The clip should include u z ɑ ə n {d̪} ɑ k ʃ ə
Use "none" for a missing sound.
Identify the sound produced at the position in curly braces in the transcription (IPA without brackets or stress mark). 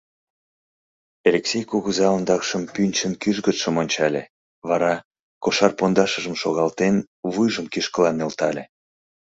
d̪